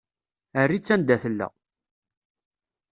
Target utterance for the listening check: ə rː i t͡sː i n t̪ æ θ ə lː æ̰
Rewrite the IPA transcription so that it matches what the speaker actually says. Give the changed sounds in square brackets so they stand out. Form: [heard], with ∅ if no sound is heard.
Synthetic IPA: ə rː i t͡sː [æ] n [d̪] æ θ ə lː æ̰